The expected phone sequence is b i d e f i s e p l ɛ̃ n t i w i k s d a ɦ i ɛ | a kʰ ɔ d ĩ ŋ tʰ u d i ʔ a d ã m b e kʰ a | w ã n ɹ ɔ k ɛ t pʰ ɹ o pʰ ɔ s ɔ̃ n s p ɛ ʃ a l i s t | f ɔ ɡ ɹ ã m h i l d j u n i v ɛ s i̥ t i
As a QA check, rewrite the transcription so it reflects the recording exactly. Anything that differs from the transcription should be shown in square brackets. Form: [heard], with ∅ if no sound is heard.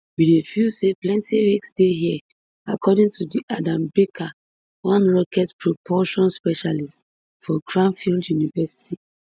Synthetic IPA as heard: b i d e f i s e p l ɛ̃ n t i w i k s d [e] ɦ i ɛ | a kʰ ɔ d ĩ ŋ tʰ u d i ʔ a d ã m b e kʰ a | w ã n ɹ ɔ k ɛ t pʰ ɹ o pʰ ɔ [ʃ] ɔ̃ n s p ɛ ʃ a l i s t | f ɔ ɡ ɹ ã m [f] i l d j u n i v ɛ s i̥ t i

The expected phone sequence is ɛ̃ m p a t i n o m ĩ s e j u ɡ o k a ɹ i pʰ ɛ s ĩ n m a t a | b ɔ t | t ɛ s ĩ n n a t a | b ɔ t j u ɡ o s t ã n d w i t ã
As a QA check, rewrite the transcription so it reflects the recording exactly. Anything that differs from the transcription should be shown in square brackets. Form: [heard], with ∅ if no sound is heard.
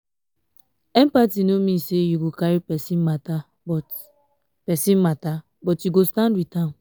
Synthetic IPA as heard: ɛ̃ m p a t i n o m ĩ s e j u ɡ o k a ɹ i [p] ɛ s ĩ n m a t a | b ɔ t | [p] ɛ s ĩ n [m] a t a | b ɔ t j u ɡ o s t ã n d w i t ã

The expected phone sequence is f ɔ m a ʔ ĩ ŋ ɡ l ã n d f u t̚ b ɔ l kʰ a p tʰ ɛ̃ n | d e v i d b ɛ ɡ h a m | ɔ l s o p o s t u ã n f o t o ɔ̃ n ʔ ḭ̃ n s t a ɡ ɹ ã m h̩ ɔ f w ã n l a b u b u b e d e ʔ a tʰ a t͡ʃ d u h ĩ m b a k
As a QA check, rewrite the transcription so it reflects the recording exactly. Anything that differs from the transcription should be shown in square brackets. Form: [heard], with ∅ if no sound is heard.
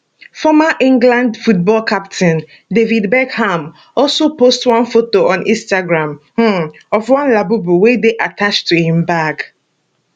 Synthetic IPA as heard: f ɔ m a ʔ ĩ ŋ ɡ l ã n d f u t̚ b ɔ l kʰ a p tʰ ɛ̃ n | d e v i d b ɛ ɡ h a m | ɔ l s o p o s t [w] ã n f o t o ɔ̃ n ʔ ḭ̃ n s t a ɡ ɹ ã m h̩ ɔ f w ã n l a b u b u [w] e d e ʔ a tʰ a t͡ʃ [t] u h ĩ m b a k

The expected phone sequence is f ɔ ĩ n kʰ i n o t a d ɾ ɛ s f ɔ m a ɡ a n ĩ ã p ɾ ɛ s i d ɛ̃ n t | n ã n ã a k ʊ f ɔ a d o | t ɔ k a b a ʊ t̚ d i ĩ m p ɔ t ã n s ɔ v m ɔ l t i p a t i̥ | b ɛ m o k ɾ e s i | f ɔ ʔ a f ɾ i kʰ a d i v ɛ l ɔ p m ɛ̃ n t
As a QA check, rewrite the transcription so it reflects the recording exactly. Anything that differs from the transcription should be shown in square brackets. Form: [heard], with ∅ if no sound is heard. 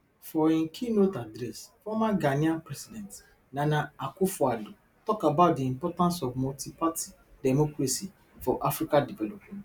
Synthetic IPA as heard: f ɔ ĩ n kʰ i n o t a d ɾ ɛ s f ɔ m a ɡ a n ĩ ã p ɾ ɛ s i d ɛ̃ n t | n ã n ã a k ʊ f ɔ a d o | t ɔ k a b a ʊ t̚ d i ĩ m p ɔ t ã n s ɔ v m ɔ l t i p a t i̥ | [d] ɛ m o k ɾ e s i | f ɔ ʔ a f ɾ i [k] a d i v ɛ l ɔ p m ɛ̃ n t

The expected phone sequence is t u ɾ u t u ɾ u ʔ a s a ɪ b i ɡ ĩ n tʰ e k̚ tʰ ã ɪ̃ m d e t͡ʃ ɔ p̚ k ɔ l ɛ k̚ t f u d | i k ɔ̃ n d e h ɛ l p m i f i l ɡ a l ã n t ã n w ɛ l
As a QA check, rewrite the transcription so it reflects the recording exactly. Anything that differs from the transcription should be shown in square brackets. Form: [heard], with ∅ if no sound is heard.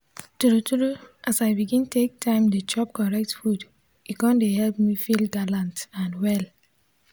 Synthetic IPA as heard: t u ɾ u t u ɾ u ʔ a s a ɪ b i ɡ ĩ n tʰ e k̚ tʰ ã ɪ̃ m d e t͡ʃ ɔ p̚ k ɔ [ɹ] ɛ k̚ t f u d | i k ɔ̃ n d e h ɛ l p m i f i l ɡ a l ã n t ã n w ɛ l

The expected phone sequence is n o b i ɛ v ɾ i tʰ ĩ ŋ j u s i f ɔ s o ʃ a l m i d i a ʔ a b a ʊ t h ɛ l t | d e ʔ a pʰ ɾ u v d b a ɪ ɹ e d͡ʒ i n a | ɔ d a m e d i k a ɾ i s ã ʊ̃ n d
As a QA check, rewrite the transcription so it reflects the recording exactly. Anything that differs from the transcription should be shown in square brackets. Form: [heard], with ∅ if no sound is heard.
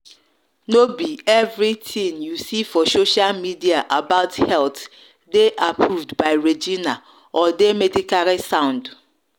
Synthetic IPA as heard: n o b i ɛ v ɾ i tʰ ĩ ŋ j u s i f ɔ s o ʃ a l m i d i a ʔ a b a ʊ t h ɛ l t | d e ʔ a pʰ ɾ u v d b a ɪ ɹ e d͡ʒ i n a | ɔ d [e] m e d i k a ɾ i s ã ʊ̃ n d

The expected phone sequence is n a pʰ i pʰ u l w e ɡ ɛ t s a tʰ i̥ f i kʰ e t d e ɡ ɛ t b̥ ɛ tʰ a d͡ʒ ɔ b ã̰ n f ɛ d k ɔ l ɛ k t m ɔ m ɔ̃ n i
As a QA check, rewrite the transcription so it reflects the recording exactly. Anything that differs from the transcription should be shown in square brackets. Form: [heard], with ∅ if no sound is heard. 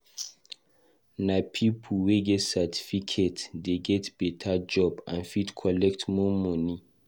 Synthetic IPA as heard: n a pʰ i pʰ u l w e ɡ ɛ t s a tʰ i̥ f i kʰ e t d e ɡ ɛ t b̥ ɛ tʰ a d͡ʒ ɔ b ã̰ n f [i] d [kʰ] ɔ l ɛ k t m ɔ m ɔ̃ n i

